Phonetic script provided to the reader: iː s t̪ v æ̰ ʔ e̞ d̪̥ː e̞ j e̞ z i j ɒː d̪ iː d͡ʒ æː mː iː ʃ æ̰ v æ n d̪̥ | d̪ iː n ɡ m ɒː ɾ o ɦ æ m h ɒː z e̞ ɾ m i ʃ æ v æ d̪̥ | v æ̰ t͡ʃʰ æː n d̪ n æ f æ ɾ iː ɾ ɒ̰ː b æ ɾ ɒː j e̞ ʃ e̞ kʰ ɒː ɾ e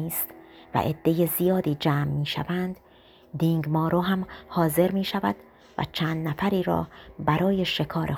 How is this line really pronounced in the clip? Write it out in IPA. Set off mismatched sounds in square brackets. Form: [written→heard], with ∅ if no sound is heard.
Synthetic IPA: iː s t̪ v æ̰ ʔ e̞ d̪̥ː e̞ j e̞ z i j ɒː d̪ iː d͡ʒ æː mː iː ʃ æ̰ v æ n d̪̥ | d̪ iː [n→ŋ] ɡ m ɒː ɾ o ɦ æ m h ɒː z e̞ ɾ m [i→iː] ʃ æ v æ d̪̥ | v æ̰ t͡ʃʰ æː n d̪ n æ f æ ɾ iː ɾ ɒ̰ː b æ ɾ ɒː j e̞ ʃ e̞ kʰ ɒː ɾ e